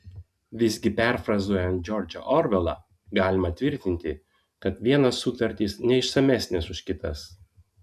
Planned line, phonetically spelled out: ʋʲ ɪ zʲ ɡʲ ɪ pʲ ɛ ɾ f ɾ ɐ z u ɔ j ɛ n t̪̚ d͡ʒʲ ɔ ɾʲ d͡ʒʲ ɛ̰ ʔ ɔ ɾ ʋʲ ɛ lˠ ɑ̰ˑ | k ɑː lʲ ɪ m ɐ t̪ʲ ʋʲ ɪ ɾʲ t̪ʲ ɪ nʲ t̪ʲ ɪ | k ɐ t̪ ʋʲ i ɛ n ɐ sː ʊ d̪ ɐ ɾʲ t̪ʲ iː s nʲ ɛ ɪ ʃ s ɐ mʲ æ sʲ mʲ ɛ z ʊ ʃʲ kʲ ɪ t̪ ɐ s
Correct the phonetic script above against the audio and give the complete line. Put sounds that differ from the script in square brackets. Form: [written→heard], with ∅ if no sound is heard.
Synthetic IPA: ʋʲ ɪ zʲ ɡʲ ɪ pʲ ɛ ɾ f ɾ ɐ z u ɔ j ɛ n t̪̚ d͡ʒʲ ɔ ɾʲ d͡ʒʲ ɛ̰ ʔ ɔ ɾ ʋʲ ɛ lˠ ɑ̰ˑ | [k→ɡ] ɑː lʲ ɪ m ɐ t̪ʲ ʋʲ ɪ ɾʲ t̪ʲ ɪ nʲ t̪ʲ ɪ | k ɐ t̪ ʋʲ i ɛ n ɐ sː ʊ [d̪→t̪] ɐ ɾʲ t̪ʲ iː s nʲ ɛ ɪ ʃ s ɐ mʲ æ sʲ [mʲ→nʲ] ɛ [z→s] ʊ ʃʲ kʲ ɪ t̪ ɐ s